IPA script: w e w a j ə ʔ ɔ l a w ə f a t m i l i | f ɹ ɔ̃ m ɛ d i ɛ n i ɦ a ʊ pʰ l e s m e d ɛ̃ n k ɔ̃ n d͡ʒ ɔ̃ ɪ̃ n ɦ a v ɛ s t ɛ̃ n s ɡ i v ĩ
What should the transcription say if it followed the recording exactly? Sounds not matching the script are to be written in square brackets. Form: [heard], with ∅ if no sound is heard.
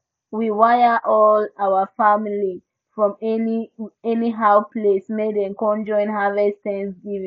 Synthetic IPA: w [i] w a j ə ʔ ɔ l a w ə f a [∅] m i l i | f ɹ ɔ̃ m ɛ [n] i ɛ n i ɦ a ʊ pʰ l e s m e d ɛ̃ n k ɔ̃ n d͡ʒ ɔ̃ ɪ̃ n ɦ a v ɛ s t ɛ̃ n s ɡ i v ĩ